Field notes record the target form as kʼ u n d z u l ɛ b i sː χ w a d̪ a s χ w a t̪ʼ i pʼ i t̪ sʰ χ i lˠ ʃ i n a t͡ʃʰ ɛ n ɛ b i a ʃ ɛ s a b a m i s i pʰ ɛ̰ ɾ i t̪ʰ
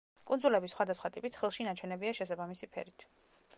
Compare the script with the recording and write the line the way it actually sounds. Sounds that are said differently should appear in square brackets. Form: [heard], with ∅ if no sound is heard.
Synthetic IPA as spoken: kʼ u n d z u l ɛ b i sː χ w a d̪ a s χ w a t̪ʼ i pʼ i t̪ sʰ χ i lˠ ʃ i n a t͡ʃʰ ɛ n ɛ b i a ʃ ɛ s a b a m i s i pʰ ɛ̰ ɾ i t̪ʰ